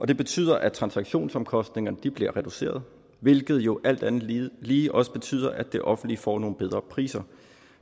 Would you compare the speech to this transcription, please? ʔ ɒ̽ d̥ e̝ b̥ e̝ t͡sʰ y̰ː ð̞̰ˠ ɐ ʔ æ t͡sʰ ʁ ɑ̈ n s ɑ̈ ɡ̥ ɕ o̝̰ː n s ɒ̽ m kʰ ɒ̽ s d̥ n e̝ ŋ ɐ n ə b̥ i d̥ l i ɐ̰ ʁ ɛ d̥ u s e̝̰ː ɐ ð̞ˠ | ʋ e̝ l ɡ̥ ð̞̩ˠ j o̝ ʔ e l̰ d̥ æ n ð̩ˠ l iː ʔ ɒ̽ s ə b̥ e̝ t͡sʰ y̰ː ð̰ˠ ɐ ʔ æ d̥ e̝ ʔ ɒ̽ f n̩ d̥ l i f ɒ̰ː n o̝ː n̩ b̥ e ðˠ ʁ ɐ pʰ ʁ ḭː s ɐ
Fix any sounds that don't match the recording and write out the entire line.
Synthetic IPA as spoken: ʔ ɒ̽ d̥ e̝ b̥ e̝ t͡sʰ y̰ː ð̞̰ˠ ɐ ʔ æ t͡sʰ ʁ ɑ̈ n s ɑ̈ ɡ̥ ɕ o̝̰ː n s ɒ̽ m kʰ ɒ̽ s d̥ n e̝ ŋ ɐ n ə d̥ i b̥ l i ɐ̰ ʁ ɛ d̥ u s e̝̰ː ɐ ð̞ˠ | ʋ e̝ l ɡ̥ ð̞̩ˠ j o̝ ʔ æ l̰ d̥ æ n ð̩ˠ l iː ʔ ɒ̽ s ə b̥ e̝ t͡sʰ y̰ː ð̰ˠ ɐ ʔ æ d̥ e̝ ʔ ɒ̽ f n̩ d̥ l i f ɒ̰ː n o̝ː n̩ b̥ e ðˠ ʁ ɐ pʰ ʁ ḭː s ɐ

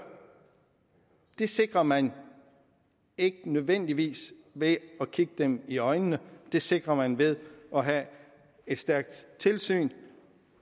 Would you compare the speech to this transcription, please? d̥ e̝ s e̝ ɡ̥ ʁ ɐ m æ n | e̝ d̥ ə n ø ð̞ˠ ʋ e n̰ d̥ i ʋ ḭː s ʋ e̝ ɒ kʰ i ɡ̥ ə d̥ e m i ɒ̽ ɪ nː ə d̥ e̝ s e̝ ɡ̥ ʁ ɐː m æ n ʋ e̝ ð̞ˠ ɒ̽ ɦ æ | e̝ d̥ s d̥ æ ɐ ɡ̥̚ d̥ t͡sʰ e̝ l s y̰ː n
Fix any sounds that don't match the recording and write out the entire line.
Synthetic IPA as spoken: d̥ e̝ s e̝ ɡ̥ ʁ ɐ m æ n | e̝ ɡ̥ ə n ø ð̞ˠ ʋ e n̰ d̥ i ʋ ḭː s ʋ e̝ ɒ kʰ i ɡ̥ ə d̥ e m i ɒ̽ ɪ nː ə d̥ e̝ s e̝ ɡ̥ ʁ ɐ m æ n ʋ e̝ ð̞ˠ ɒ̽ ɦ æ | e̝ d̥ s d̥ æ ɐ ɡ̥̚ d̥ t͡sʰ e̝ l s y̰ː n

